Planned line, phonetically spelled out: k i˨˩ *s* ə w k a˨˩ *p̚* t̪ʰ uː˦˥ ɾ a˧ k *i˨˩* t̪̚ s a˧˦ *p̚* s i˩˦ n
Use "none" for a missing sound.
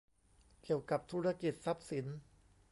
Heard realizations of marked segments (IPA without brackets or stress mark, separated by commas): none, p̚, i˨˩, p̚